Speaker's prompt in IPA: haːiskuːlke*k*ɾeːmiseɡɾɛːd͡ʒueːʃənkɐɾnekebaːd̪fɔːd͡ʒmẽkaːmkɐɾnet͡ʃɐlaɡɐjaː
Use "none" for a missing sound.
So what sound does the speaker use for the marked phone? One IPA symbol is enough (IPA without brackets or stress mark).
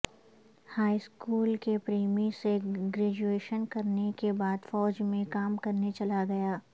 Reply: p